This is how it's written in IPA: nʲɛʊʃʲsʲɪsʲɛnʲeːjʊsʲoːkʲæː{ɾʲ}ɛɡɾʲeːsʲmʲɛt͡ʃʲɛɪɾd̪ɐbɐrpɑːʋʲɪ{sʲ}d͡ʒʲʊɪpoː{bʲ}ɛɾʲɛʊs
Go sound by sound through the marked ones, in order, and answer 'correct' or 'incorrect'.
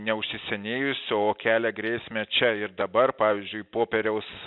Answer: incorrect, incorrect, incorrect

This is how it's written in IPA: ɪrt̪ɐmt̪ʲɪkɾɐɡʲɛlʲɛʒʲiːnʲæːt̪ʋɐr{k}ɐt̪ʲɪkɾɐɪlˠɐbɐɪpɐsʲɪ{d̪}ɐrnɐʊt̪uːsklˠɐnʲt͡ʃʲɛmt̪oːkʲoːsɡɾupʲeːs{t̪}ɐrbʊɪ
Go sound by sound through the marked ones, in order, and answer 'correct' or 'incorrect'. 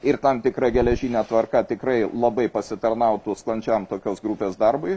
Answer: correct, incorrect, incorrect

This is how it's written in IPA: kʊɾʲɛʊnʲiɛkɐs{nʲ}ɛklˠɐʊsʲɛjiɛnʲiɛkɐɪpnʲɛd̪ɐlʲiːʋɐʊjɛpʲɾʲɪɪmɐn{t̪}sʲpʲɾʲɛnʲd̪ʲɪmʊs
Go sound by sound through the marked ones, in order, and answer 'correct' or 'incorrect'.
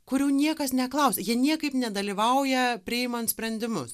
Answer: correct, correct

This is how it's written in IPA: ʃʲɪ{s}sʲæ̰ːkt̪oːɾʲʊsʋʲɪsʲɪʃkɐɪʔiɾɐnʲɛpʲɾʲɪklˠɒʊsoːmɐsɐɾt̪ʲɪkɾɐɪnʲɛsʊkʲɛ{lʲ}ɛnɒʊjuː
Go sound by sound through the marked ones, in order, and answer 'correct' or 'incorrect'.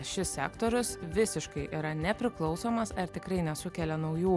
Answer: correct, correct

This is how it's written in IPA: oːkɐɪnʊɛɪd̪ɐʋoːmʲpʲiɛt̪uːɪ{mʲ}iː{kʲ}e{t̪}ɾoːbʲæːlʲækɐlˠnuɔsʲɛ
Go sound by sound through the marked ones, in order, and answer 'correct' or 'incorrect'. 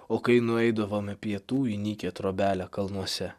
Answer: incorrect, correct, correct

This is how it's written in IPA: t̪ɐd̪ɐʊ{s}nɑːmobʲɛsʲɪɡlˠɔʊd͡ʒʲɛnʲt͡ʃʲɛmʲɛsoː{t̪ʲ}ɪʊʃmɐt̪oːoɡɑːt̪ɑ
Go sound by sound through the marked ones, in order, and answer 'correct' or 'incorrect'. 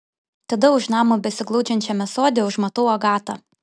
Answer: incorrect, incorrect

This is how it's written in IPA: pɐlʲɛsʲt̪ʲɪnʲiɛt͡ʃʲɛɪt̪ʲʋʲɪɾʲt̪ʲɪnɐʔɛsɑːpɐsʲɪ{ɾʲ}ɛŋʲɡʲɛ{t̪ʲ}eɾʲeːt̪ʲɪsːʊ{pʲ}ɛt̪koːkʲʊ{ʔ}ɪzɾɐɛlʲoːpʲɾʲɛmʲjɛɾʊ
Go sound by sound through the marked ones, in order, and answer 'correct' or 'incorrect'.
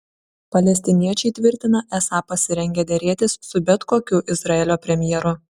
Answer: correct, incorrect, incorrect, correct

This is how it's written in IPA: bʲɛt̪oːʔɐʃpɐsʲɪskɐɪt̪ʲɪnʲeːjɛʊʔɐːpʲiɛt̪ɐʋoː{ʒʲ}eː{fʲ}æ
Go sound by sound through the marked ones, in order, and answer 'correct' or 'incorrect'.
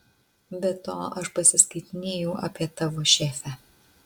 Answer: incorrect, correct

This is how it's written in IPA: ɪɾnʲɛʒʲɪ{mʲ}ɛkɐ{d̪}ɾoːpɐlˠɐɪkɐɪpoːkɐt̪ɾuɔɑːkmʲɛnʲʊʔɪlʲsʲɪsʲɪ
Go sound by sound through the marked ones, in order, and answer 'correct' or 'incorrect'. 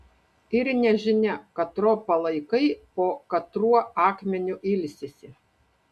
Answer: incorrect, incorrect

